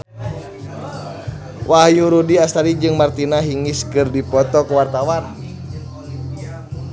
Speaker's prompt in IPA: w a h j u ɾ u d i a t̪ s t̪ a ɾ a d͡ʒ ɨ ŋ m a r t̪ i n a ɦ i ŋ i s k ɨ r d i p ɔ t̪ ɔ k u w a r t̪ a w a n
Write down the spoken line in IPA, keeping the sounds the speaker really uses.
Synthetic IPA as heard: w a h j u ɾ u d i a s t̪ a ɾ i d͡ʒ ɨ ŋ m a r t̪ i n a ɦ i ŋ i s k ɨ r d i p ɔ t̪ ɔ k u w a r t̪ a w a n

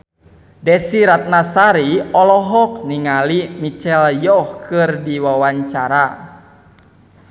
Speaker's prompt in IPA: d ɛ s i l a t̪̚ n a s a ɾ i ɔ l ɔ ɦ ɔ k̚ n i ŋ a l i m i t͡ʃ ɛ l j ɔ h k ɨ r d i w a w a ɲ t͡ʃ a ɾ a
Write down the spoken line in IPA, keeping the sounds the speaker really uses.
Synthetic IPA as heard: d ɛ s i ɾ a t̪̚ n a s a ɾ i ɔ l ɔ ɦ ɔ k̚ n i ŋ a l i m i t͡ʃ ɛ l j ɔ h k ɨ r d i w a w a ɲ t͡ʃ a ɾ a

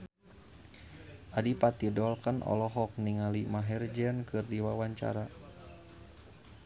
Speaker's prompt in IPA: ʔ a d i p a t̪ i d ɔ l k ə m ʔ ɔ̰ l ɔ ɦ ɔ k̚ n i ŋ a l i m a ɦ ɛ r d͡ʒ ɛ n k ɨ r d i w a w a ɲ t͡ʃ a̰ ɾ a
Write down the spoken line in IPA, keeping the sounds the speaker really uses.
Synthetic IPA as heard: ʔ a d i p a t̪ i d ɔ l k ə n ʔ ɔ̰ l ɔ ɦ ɔ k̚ n i ŋ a l i m a ɦ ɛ r d͡ʒ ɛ n k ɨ r d i w a w a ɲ t͡ʃ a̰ ɾ a

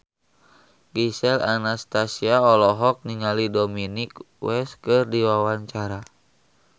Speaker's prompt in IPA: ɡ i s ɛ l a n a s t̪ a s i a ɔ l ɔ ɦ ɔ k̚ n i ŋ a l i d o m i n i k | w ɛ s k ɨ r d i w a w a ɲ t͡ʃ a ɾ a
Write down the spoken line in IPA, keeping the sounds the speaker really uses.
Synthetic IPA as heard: ɡ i s ɛ l a n a s t̪ a s i a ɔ l ɔ ɦ ɔ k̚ n i ŋ a l i d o m i n i k | w ɛ s k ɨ r d i w a w a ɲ t͡ʃ a ɾ a

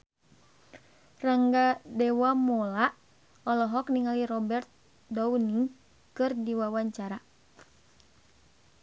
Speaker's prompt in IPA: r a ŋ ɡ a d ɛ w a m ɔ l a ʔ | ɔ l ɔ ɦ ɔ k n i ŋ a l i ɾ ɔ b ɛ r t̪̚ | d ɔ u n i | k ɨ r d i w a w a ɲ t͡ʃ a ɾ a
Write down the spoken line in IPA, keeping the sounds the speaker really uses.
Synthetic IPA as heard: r a ŋ ɡ a d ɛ w a m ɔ l a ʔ | ɔ l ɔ ɦ ɔ k n i ŋ a l i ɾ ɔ b ɛ r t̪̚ | d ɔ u n i | k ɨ r d i w a w a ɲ t͡ʃ a ɾ a

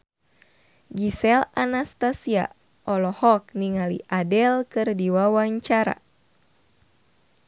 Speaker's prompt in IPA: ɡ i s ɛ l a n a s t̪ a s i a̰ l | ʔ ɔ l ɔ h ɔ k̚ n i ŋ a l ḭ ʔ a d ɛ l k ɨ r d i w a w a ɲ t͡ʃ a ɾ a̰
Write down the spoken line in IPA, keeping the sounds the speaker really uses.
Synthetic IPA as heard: ɡ i s ɛ l a n a s t̪ a s i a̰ | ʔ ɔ l ɔ h ɔ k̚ n i ŋ a l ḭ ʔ a d ɛ l k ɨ r d i w a w a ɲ t͡ʃ a ɾ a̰

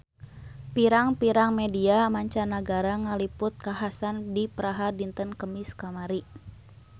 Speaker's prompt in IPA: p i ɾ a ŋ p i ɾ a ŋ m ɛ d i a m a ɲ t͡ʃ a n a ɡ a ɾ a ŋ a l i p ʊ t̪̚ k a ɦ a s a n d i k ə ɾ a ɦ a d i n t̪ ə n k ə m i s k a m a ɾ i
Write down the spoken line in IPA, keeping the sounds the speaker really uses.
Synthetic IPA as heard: p i ɾ a ŋ p i ɾ a ŋ m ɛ d i a m a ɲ t͡ʃ a n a ɡ a ɾ a ŋ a l i p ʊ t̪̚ k a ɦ a s a n d i p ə ɾ a ɦ a d i n t̪ ə n k ə m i s k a m a ɾ i

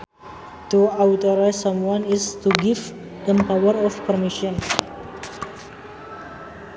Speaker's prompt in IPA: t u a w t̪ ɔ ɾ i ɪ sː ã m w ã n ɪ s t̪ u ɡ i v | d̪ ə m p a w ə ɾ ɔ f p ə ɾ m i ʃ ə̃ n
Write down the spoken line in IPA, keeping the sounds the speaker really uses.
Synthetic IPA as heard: t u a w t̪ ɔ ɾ a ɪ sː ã m w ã n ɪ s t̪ u ɡ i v | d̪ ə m p a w ə ɾ ɔ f p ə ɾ m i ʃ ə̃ n

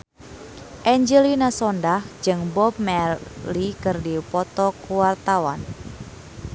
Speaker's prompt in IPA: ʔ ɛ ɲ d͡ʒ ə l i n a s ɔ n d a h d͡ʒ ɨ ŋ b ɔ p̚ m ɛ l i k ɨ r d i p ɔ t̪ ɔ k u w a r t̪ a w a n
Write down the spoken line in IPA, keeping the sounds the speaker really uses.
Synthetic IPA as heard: ʔ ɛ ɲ d͡ʒ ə l i n a s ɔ n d a h d͡ʒ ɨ ŋ b ɔ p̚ m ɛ l i k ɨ r d i p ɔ t̪ ɔ k u w a r t̪ a w a n

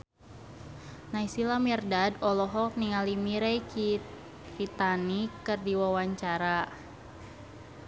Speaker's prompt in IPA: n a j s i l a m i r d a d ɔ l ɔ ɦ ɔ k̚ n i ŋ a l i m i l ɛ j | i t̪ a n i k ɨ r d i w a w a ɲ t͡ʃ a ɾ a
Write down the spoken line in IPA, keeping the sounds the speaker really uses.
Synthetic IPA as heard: n a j s i l a m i r d a d ɔ l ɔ ɦ ɔ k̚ n i ŋ a l i m i ɾ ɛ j | i t̪ a n i k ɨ r d i w a w a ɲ t͡ʃ a ɾ a

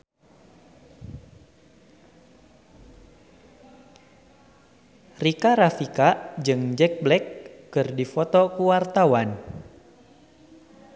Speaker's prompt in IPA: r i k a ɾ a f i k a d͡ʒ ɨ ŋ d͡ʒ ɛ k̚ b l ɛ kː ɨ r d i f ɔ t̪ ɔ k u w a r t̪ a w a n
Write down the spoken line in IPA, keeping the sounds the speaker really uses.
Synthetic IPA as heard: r i k a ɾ a f i k a d͡ʒ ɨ ŋ d͡ʒ ɛ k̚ b l ɛ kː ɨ r d i f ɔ t̪ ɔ k u w a r t̪ a w a n

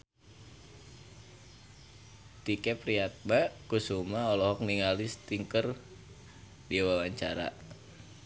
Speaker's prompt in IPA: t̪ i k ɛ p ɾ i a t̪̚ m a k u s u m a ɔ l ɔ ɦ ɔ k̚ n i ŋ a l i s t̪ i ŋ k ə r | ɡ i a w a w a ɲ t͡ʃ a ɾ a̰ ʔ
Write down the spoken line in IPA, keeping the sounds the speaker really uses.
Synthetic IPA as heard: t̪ i k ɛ p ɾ i a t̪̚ m a k u s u m a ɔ l ɔ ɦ ɔ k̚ n i ŋ a l i s t̪ i ŋ k ə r | d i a w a w a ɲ t͡ʃ a ɾ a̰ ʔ

